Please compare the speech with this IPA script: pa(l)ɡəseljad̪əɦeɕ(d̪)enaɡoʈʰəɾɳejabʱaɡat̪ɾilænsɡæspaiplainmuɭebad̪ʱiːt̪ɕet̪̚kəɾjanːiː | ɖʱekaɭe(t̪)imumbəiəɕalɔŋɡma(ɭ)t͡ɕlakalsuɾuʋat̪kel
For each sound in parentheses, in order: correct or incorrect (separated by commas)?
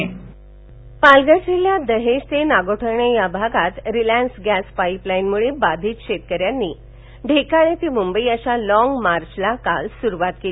correct, incorrect, correct, incorrect